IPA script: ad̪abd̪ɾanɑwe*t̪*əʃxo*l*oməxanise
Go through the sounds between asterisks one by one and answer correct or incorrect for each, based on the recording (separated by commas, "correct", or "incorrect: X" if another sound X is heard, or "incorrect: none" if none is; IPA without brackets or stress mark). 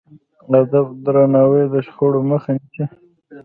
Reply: incorrect: d̪, incorrect: ɽ